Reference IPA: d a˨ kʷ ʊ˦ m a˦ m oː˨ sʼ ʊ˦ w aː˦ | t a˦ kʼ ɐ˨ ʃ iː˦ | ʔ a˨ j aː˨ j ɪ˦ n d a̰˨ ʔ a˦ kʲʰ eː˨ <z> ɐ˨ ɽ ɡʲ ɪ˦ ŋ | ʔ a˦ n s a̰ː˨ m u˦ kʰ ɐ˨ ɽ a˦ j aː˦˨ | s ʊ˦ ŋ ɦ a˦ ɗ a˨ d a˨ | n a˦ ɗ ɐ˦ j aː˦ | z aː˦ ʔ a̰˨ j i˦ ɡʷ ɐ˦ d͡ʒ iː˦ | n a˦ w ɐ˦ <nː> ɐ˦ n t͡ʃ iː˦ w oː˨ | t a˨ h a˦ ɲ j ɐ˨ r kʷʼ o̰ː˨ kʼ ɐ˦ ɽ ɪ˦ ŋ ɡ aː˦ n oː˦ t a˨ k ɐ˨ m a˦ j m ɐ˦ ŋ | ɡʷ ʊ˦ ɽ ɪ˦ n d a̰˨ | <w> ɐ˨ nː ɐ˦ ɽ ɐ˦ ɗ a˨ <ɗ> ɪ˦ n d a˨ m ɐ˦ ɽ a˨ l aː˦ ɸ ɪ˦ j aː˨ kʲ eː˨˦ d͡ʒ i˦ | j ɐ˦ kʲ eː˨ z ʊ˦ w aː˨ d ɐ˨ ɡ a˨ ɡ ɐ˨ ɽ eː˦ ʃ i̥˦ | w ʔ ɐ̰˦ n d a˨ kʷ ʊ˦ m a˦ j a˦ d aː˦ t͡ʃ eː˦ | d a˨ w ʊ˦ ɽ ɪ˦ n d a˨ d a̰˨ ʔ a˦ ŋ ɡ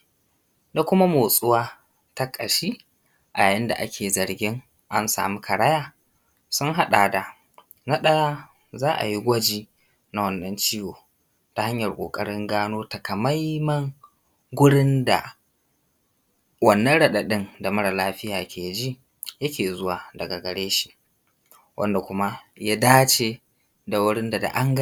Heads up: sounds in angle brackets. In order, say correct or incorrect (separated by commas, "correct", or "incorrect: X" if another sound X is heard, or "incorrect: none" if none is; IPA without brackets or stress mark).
correct, correct, correct, correct